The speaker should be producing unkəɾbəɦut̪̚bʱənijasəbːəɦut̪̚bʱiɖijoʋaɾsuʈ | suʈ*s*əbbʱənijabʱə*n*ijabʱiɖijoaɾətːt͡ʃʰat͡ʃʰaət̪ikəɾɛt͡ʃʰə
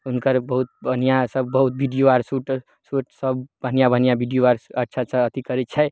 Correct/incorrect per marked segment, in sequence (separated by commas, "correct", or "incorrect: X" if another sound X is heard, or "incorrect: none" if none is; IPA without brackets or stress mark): correct, correct